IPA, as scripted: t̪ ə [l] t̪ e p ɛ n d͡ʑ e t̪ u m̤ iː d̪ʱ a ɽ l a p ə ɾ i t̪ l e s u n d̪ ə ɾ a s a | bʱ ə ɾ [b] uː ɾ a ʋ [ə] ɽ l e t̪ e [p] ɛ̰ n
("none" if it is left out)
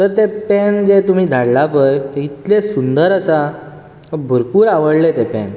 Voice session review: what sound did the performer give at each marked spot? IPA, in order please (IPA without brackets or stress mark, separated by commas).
ɾ, p, ə, p